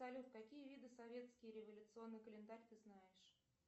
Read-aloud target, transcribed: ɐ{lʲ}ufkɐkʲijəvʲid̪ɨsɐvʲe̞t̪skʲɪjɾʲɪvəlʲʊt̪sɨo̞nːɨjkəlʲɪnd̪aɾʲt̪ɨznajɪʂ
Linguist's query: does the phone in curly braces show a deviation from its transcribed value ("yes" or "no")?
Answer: no